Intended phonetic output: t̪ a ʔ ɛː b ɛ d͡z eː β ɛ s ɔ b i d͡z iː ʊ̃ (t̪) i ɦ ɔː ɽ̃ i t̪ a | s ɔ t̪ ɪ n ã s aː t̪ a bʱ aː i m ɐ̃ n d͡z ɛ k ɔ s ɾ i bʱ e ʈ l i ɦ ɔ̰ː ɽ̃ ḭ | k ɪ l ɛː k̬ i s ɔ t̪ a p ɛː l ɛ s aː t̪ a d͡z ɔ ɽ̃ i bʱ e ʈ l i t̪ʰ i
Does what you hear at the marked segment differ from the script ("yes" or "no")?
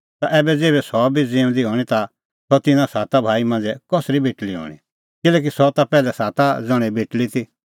yes